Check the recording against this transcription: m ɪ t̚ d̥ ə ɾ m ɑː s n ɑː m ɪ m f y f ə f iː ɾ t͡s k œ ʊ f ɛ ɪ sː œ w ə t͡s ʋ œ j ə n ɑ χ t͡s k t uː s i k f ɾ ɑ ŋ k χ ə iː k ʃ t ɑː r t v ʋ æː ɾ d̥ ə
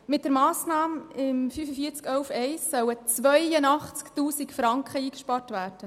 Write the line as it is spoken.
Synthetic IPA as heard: m ɪ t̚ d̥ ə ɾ m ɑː s n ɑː m ɪ m f y f ə f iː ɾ t͡s k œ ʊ f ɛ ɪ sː œ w ə t͡s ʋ œ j ə n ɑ χ t͡s k t uː s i k f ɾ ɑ ŋ k χ ə iː k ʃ p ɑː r t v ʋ æː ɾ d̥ ə